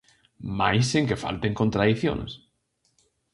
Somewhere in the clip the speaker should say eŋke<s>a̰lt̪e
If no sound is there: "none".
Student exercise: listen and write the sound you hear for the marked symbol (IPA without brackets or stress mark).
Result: f